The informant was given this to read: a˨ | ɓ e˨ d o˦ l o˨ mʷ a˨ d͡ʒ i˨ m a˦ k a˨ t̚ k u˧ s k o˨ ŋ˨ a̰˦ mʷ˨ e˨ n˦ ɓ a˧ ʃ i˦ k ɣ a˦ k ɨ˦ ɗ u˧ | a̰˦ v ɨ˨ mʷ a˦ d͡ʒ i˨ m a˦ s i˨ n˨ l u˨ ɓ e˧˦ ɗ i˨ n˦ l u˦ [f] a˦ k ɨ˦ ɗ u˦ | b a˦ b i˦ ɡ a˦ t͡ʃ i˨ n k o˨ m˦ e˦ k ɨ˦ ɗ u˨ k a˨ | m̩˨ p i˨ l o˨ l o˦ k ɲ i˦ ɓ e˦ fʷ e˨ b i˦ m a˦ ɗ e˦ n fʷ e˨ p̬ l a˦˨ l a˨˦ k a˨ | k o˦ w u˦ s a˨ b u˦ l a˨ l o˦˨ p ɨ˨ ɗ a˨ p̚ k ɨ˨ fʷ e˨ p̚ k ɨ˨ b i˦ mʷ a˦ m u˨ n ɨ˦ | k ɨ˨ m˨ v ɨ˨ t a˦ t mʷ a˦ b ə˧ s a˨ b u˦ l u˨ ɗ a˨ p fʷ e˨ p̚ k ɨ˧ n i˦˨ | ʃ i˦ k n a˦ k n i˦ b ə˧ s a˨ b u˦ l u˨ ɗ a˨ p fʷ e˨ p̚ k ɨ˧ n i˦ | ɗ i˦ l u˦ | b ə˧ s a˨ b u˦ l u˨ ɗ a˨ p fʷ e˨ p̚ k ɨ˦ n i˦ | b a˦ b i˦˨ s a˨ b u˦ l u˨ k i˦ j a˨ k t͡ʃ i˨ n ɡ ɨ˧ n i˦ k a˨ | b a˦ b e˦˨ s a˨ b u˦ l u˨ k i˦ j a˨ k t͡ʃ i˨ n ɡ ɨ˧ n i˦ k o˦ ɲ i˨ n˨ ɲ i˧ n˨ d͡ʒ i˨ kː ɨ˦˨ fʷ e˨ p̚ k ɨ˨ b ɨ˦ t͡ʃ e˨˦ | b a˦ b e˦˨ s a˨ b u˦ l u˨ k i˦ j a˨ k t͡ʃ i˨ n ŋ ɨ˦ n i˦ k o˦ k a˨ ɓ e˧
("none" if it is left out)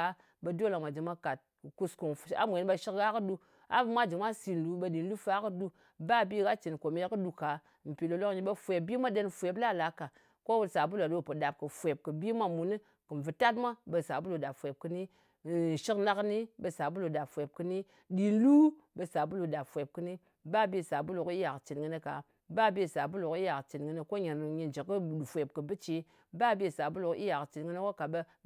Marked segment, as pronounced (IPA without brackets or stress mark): f